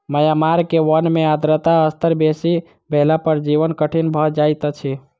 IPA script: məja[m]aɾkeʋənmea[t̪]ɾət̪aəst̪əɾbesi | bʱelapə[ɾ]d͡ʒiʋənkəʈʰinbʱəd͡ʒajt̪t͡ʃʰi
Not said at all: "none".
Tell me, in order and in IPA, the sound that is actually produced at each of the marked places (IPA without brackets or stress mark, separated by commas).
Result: m, d̪, ɾ